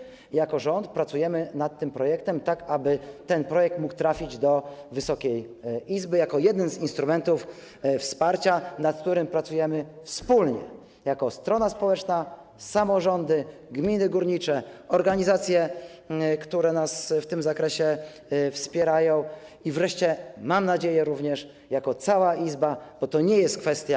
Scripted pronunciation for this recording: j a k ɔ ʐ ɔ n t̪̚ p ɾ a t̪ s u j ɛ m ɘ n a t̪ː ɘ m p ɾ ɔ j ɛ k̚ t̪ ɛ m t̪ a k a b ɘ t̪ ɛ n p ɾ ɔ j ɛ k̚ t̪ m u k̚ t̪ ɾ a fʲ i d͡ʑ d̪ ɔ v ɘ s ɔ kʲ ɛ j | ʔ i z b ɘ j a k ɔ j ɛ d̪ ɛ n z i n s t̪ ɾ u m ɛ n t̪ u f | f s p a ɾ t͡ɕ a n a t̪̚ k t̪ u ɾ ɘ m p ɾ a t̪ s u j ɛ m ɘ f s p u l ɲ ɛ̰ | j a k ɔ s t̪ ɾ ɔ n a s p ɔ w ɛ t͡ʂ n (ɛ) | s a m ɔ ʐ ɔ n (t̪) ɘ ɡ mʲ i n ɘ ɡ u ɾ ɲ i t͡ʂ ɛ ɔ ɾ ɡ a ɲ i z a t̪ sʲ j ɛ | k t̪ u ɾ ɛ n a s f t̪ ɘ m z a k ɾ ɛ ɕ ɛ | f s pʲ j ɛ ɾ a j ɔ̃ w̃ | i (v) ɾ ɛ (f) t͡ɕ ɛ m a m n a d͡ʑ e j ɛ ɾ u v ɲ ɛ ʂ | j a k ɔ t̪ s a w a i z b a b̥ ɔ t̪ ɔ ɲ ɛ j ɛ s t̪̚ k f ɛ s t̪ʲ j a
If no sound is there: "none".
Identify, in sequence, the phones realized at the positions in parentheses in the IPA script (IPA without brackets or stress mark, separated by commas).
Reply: a, d̪, v, ʂ